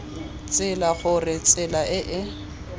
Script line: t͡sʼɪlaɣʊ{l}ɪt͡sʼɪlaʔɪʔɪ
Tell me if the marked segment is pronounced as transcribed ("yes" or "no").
no